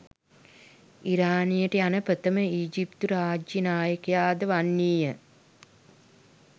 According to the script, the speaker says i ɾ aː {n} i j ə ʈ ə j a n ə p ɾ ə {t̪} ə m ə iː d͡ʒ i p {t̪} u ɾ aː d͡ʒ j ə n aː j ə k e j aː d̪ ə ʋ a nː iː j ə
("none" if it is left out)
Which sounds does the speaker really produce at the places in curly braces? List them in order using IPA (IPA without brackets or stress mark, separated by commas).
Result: n, t̪, t̪